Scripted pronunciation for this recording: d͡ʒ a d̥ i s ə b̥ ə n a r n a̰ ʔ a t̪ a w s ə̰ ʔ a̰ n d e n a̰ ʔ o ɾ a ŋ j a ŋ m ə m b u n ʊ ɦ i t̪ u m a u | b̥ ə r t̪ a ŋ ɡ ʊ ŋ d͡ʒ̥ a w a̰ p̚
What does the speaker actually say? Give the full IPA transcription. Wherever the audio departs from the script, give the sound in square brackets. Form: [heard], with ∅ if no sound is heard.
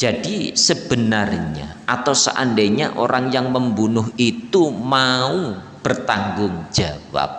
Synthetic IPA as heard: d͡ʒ a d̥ i s ə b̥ ə n a r [ɲ] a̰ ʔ a t̪ a w s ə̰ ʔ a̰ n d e [ɲ] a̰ ʔ o ɾ a ŋ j a ŋ m ə m b u n ʊ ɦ i t̪ u m a u | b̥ ə r t̪ a ŋ ɡ ʊ ŋ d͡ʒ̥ a w a̰ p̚